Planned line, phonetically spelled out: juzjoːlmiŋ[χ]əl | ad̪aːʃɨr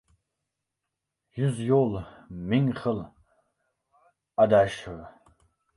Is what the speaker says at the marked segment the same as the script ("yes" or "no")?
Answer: yes